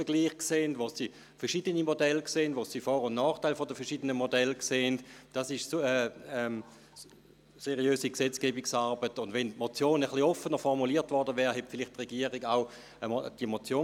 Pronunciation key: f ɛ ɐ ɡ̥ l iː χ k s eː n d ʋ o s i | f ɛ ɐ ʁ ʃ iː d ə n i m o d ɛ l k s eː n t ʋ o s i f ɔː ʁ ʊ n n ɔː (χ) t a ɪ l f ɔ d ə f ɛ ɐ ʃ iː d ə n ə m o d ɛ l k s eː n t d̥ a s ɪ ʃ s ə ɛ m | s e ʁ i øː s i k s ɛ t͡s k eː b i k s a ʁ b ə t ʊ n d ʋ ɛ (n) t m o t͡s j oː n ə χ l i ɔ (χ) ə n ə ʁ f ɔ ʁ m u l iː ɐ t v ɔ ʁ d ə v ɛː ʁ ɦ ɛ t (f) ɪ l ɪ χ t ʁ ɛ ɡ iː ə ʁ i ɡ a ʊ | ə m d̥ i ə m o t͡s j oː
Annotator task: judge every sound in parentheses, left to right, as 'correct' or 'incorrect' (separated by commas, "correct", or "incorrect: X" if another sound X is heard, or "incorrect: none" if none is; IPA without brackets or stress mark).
correct, correct, incorrect: f, correct